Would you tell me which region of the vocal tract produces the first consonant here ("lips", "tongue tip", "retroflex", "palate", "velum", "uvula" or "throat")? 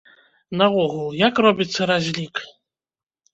tongue tip